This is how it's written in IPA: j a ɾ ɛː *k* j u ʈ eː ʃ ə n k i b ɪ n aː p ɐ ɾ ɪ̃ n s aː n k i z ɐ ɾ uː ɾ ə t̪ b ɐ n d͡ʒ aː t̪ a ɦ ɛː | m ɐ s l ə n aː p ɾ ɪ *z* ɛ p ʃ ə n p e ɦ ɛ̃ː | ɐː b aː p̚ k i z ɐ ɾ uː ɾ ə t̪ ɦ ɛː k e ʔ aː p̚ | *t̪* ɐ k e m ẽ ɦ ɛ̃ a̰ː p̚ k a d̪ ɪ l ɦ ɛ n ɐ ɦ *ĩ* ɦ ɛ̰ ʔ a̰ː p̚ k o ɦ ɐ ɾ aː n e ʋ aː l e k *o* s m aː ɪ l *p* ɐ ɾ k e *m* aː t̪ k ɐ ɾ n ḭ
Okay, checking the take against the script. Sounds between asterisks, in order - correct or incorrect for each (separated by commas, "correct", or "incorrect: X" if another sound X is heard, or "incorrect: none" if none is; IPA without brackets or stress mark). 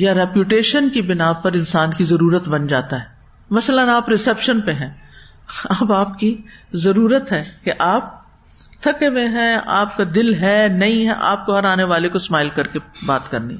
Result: incorrect: p, incorrect: s, incorrect: t̪ʰ, correct, correct, incorrect: k, incorrect: b